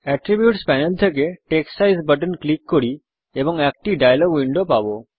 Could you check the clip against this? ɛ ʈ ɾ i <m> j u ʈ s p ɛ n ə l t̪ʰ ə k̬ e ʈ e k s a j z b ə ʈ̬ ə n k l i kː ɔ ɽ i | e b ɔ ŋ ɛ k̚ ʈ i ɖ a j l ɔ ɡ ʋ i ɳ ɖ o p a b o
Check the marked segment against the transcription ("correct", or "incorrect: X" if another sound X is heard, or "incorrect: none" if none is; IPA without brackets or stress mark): incorrect: b